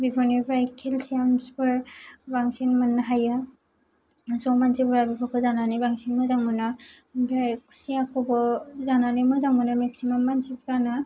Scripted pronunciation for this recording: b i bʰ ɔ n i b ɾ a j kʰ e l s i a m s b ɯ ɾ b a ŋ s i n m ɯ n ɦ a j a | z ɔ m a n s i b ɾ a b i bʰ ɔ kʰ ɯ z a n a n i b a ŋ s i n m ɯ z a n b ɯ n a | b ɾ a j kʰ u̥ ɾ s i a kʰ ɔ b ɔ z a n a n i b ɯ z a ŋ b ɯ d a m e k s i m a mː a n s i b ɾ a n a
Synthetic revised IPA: b i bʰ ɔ n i b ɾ a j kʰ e l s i a m s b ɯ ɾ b a ŋ s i n m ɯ n ɦ a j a | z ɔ m a n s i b ɾ a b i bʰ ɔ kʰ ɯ z a n a n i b a ŋ s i n m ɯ z a ŋ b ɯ n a | b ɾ a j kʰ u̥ s i a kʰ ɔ b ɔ z a n a n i m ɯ z a ŋ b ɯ n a m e k s i m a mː a n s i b ɾ a n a